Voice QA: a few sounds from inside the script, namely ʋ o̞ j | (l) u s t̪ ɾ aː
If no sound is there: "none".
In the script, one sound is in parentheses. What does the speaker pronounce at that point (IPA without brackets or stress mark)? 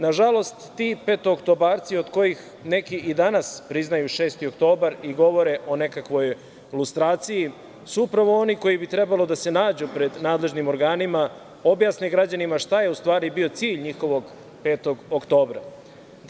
l